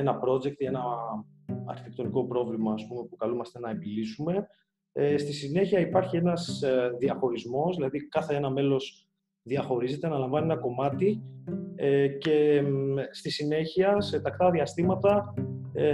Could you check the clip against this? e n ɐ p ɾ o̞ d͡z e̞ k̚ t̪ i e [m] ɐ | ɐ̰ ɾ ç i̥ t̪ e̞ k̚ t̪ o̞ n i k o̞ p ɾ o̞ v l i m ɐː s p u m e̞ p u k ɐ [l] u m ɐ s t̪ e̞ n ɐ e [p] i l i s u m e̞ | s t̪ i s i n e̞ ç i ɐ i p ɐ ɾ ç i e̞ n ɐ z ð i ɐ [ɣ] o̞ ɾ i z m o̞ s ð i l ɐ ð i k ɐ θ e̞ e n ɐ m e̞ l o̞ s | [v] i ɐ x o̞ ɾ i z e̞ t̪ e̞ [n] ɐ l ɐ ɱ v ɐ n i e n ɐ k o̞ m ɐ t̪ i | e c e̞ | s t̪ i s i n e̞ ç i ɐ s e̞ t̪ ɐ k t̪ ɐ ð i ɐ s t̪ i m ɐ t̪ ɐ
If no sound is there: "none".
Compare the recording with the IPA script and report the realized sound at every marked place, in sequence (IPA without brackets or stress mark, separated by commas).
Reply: n, l, b, x, ð, n